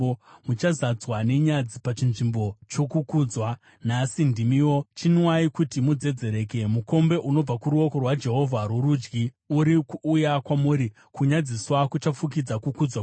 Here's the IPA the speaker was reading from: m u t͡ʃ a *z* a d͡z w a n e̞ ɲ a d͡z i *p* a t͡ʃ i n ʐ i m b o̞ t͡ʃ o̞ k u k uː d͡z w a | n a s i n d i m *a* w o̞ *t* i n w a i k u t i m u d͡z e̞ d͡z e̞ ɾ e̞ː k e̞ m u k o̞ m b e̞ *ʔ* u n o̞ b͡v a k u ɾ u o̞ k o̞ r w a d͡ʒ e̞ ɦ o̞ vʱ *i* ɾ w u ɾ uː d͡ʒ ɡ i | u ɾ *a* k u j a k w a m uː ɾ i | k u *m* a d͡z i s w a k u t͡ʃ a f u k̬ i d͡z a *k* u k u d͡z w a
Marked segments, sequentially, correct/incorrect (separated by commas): correct, correct, incorrect, incorrect, correct, incorrect, incorrect, incorrect, correct